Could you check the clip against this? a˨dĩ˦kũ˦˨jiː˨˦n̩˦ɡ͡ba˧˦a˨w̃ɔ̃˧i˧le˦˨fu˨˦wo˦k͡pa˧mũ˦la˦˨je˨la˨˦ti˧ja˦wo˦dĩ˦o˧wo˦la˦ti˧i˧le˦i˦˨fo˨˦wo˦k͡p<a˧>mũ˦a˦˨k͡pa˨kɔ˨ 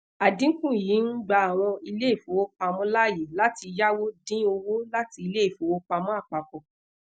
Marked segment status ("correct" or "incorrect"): correct